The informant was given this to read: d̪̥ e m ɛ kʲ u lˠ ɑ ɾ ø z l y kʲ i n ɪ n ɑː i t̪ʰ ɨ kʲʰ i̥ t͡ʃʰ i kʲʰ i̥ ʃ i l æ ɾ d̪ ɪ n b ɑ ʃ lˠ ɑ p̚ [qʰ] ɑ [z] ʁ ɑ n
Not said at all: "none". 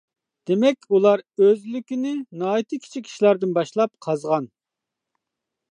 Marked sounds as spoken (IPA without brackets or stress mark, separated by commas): qʰ, z